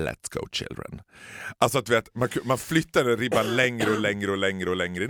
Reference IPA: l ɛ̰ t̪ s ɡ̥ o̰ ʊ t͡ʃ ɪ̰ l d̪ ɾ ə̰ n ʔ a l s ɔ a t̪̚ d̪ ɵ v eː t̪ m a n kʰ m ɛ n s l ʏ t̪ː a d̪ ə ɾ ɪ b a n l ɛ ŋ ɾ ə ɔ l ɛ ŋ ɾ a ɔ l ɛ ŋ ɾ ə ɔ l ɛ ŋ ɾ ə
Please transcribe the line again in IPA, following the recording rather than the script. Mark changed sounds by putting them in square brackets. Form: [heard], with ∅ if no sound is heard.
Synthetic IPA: l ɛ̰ t̪ s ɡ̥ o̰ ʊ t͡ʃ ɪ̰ l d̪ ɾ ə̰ n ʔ a l s ɔ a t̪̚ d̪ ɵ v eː t̪ m a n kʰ m [a] n [f] l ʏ t̪ː a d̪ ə ɾ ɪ b a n l ɛ ŋ ɾ ə ɔ l ɛ ŋ ɾ [ə] ɔ l ɛ ŋ ɾ ə ɔ l ɛ ŋ ɾ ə